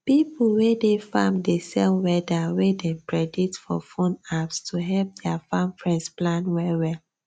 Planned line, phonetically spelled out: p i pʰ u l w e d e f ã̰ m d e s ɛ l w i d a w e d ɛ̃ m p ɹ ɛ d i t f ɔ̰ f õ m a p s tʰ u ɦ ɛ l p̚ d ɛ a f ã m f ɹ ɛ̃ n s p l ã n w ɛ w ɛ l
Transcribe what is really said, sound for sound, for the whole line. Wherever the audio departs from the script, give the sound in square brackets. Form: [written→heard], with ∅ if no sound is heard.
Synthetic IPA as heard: p i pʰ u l w e d e f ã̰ m d e s ɛ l w [i→ɛ] d a w e d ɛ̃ m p ɹ ɛ d i t f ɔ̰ f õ [m→n] a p s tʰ u ɦ ɛ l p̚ d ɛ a f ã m f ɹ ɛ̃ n s p l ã n w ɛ w ɛ l

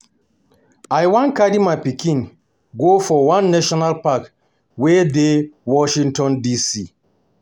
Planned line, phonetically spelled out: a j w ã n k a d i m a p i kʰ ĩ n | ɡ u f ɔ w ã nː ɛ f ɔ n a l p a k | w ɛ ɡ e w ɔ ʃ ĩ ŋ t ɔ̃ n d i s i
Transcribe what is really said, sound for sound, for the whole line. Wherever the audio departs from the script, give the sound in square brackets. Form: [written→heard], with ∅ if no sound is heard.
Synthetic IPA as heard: a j w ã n k a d i m a p i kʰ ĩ n | ɡ [u→o] f ɔ w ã nː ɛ [f→ʃ] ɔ n a l p a k | w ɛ [ɡ→d] e w ɔ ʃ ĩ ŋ t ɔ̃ n d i s i

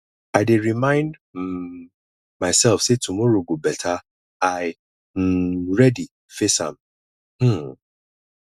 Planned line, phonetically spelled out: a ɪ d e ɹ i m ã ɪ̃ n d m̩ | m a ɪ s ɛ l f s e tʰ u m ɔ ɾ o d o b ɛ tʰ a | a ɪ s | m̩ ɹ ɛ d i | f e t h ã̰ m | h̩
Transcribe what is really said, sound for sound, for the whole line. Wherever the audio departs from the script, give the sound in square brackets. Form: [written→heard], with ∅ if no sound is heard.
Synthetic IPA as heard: a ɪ d e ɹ i m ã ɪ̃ n d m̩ | m a ɪ s ɛ l f s e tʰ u m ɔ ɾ o [d→ɡ] o b ɛ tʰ a | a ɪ [s→∅] | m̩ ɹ ɛ d i | f e [t→s] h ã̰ m | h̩

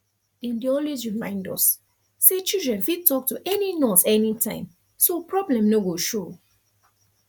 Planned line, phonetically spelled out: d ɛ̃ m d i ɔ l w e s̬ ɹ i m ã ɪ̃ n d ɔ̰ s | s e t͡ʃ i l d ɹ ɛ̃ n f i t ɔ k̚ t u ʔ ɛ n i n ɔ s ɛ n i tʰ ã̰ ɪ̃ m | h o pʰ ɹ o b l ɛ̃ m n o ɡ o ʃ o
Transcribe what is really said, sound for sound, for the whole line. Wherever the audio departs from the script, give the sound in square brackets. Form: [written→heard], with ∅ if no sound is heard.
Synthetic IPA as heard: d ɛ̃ [m→n] d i ɔ l w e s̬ ɹ i m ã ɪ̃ n d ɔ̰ s | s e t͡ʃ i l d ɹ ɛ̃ n f i t ɔ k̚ t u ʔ ɛ n i n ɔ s ɛ n i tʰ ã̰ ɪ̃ m | [h→s] o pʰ ɹ [o→ɔ] b l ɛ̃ m n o ɡ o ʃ o

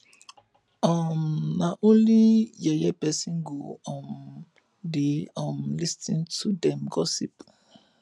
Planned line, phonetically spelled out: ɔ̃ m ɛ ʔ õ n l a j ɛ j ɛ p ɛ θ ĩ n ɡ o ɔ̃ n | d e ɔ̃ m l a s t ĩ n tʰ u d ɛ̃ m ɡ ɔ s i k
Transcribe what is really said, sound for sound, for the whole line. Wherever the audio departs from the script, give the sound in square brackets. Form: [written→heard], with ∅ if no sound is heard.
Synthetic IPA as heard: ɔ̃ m [ɛ→a] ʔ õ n l [a→i] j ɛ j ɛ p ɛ [θ→s] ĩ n ɡ o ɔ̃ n | d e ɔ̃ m l [a→i] s t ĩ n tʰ u d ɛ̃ m ɡ ɔ s i [k→p]

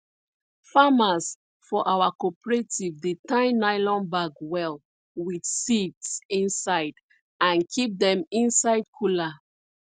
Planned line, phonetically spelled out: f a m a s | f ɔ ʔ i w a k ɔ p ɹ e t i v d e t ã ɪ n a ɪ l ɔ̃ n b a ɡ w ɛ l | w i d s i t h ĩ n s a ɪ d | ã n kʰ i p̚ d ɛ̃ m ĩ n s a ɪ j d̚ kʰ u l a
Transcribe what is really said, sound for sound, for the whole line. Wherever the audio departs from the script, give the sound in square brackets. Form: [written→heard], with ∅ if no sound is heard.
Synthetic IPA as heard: f a m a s | f ɔ ʔ [i→a] w a k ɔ p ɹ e t i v d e t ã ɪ n a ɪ l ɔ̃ n b a ɡ w ɛ l | w i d s i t [h→s] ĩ n s a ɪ d | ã n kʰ i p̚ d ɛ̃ m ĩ n s a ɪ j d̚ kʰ u l a

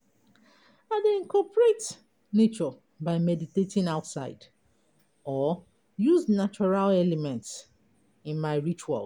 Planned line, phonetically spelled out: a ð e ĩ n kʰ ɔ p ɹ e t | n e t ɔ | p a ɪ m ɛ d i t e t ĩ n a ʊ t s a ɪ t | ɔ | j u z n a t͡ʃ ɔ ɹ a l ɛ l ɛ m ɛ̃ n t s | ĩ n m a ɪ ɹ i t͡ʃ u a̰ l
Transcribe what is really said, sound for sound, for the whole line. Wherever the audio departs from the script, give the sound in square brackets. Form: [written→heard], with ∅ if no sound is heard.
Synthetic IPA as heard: a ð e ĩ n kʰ ɔ p ɹ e t | n e [t→t͡ʃ] ɔ | [p→b] a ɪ m ɛ d i t e t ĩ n a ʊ t s a ɪ [t→d] | ɔ | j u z n a t͡ʃ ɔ ɹ a l ɛ l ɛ m ɛ̃ n t s | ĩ n m a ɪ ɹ i t͡ʃ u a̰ l

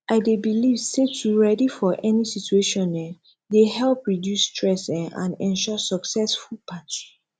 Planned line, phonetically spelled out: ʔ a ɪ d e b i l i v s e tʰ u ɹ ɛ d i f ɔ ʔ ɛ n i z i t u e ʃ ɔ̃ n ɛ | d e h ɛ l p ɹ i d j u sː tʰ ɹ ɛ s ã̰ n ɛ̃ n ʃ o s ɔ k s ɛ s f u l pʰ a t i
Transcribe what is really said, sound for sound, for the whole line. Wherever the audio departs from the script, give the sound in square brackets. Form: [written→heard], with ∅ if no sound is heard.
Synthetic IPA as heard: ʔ a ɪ d e b i l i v s e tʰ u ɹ ɛ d i f ɔ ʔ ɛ n i [z→s] i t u e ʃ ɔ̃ n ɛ | d e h ɛ l p ɹ i d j u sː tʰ ɹ ɛ s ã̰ n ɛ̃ n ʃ [o→ɔ] s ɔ k s ɛ s f u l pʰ a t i

